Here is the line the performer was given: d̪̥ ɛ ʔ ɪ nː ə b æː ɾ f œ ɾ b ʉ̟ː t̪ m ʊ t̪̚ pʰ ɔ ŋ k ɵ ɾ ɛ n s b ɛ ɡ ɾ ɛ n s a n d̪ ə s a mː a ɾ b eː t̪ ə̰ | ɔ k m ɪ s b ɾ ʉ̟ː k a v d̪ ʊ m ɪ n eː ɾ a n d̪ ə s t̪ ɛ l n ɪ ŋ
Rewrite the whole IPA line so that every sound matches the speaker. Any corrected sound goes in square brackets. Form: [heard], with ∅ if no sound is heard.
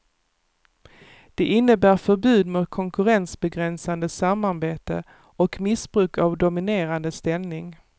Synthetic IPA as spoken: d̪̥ ɛ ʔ ɪ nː ə b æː ɾ f œ ɾ b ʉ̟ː [d̪] m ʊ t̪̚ [kʰ] ɔ ŋ k ɵ ɾ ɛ n s b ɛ ɡ ɾ ɛ n s a n d̪ ə s a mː a ɾ b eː t̪ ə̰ | ɔ k m ɪ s b ɾ ʉ̟ː k a v d̪ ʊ m ɪ n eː ɾ a n d̪ ə s t̪ ɛ l n ɪ ŋ